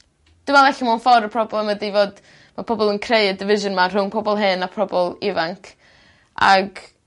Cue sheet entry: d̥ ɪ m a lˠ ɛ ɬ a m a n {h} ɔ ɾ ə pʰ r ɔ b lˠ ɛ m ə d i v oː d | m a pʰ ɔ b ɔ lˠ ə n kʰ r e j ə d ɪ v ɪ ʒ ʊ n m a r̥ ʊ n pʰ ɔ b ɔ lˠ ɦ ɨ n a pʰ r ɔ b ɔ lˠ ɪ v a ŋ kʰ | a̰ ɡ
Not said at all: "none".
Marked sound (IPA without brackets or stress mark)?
f